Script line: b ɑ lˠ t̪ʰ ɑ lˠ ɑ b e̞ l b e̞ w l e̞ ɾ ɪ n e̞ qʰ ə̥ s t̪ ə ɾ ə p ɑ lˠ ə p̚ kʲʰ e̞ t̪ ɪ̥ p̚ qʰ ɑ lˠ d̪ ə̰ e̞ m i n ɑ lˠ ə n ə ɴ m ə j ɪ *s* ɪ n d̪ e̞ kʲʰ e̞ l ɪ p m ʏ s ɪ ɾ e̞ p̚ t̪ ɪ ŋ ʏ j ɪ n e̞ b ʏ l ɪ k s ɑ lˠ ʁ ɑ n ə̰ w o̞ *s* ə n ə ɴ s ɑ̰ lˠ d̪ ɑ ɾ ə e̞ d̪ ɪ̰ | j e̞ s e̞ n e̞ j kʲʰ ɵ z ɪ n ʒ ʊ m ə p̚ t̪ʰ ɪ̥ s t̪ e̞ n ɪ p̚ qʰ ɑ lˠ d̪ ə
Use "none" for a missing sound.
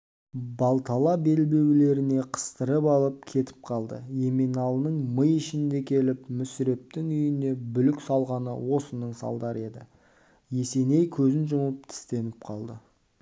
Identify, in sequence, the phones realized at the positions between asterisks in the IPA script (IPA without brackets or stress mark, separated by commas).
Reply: ʃ, s